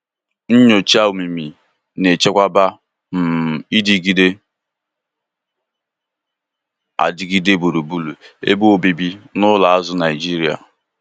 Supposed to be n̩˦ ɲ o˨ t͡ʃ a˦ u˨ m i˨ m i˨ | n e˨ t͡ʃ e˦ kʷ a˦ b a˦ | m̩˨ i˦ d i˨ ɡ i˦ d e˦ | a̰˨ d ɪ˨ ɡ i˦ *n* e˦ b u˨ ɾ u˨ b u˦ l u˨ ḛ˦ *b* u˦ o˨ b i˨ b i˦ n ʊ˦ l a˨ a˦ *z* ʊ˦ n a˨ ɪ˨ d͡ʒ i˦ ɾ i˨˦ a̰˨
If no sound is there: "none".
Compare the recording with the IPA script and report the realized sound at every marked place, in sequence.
d, b, z

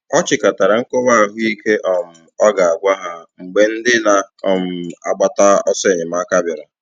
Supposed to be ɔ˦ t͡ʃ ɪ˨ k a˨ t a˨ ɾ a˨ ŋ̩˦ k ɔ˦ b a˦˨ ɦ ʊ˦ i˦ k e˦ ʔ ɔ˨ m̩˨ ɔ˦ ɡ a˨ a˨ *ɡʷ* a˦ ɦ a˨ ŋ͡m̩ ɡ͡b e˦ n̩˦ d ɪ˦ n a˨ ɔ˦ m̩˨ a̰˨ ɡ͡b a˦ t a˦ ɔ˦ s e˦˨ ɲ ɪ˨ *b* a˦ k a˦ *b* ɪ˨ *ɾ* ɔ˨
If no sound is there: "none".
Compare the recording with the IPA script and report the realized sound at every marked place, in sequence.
ɡʷ, m, b, ɾ

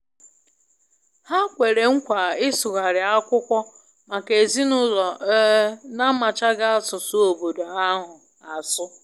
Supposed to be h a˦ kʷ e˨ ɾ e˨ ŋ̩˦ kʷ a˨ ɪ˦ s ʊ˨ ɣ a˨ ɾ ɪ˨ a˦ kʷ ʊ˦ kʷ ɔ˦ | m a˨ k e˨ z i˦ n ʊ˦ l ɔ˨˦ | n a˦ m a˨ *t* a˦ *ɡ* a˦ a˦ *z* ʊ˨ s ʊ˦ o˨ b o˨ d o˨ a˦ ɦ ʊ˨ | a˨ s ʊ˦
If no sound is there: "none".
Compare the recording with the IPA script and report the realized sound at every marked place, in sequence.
t͡ʃ, ɡ, s

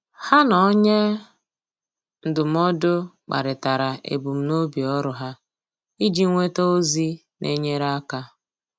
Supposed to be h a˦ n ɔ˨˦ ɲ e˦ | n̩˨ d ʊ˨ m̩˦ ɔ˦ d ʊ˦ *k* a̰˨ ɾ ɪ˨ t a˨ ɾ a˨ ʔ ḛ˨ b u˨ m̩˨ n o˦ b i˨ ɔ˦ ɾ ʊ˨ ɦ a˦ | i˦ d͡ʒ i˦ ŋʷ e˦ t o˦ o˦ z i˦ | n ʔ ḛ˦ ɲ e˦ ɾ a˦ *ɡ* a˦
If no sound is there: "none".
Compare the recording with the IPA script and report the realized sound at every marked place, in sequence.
k͡p, k

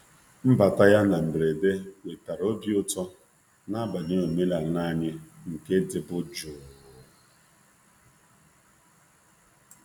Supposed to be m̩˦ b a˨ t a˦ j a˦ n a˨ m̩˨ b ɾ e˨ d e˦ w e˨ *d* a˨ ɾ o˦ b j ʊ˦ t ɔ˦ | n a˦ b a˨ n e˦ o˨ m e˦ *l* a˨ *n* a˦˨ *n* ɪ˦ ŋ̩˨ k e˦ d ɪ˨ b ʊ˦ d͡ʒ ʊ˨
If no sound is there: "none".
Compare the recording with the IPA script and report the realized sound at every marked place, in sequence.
t, l, n, ɲ

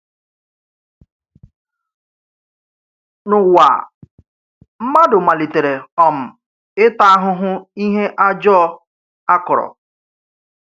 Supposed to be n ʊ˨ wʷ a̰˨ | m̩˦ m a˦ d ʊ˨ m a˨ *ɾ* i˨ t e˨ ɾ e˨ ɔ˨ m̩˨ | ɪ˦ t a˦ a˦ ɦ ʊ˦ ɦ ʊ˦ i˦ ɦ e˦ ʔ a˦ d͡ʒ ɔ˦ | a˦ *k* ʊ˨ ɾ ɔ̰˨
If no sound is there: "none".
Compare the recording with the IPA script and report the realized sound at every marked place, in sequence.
l, k

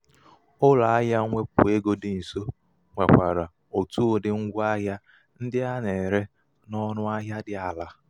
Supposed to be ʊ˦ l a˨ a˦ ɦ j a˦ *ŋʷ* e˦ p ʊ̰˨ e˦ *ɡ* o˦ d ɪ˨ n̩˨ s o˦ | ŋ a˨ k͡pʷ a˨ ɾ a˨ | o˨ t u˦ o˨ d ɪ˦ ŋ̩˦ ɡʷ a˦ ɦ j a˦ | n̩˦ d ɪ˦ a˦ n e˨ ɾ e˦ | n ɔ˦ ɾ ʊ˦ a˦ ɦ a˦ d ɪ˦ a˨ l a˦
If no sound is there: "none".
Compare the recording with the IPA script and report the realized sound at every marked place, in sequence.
ŋʷ, ɡ

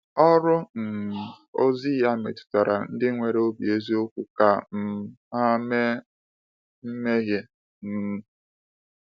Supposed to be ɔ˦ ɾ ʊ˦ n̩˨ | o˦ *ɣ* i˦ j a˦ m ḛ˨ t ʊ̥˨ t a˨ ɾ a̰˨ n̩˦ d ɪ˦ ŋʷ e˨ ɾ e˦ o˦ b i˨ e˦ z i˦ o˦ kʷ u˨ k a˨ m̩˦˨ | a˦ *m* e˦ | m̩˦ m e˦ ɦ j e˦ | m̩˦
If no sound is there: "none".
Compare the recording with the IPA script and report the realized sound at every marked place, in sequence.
z, m

